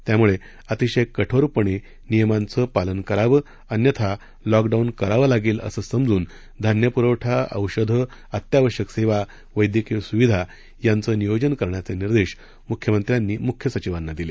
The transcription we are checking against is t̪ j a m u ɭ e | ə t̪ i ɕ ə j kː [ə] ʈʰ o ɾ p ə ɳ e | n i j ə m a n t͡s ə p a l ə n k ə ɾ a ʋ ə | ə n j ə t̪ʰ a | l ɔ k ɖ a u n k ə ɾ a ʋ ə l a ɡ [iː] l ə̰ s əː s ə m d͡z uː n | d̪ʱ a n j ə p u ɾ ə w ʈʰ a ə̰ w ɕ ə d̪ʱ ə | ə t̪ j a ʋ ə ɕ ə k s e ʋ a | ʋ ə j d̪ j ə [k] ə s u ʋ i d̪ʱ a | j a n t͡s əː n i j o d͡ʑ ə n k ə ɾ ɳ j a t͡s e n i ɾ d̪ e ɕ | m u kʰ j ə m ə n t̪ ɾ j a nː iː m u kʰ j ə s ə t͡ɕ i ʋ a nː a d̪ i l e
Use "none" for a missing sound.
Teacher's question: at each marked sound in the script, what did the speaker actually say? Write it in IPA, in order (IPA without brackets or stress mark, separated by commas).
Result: ə, iː, k